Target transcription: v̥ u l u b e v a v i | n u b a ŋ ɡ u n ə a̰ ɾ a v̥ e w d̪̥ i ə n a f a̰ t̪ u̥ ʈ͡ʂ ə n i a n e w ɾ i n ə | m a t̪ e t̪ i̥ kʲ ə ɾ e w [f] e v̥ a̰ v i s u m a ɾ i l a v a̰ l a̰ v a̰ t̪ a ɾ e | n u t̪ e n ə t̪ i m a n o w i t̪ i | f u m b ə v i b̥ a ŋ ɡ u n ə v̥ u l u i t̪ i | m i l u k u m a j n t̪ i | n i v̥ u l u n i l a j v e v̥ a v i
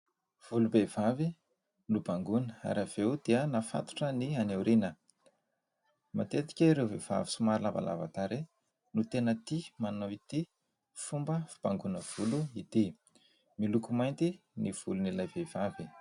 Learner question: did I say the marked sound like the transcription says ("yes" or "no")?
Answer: no